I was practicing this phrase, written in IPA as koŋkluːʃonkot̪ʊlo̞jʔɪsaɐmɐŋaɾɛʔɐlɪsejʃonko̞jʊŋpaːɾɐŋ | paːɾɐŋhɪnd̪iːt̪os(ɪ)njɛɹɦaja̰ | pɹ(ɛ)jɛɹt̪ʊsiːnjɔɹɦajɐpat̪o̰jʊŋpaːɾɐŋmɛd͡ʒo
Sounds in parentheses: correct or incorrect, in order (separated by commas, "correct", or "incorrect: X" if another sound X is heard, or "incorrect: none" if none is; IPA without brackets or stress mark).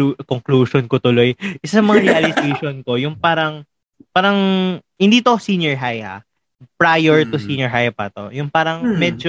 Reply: incorrect: i, incorrect: a